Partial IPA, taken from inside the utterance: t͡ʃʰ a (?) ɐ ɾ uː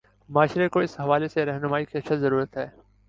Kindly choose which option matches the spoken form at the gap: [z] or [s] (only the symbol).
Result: z